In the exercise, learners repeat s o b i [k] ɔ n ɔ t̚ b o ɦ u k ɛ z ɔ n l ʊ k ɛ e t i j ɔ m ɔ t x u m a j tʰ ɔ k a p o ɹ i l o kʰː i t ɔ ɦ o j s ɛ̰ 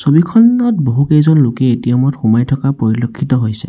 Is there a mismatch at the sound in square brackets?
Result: yes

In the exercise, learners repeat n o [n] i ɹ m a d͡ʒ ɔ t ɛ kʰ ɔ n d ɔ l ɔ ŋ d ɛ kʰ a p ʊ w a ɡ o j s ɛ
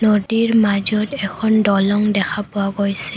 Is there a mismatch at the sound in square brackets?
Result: yes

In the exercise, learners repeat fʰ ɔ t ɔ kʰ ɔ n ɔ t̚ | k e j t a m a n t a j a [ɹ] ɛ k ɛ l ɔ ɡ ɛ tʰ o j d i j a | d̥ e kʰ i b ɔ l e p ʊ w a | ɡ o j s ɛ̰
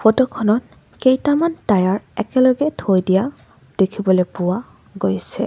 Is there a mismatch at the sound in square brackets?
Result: no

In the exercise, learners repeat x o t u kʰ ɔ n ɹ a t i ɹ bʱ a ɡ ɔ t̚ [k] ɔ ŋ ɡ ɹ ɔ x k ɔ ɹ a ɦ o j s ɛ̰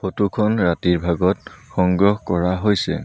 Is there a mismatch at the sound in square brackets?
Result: yes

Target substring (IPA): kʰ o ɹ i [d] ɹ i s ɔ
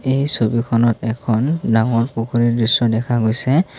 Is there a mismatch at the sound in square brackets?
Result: no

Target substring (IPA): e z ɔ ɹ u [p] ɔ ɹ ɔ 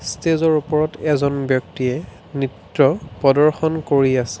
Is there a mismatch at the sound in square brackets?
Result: no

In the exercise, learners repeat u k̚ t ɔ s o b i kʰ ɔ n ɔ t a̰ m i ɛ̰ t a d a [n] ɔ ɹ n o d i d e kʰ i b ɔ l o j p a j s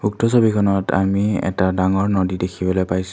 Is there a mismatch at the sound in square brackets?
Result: yes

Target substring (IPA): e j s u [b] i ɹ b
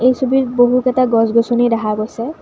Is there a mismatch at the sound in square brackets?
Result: no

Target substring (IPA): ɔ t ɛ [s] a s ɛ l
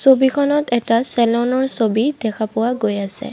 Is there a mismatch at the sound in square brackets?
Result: yes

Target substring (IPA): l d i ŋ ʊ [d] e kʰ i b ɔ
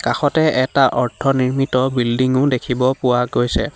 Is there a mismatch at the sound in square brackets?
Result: no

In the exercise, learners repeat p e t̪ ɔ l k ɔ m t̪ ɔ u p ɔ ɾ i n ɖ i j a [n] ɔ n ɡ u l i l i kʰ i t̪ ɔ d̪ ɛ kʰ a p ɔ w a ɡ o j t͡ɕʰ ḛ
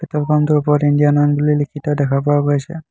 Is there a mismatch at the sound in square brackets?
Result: no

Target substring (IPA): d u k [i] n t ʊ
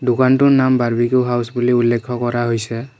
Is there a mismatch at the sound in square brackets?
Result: yes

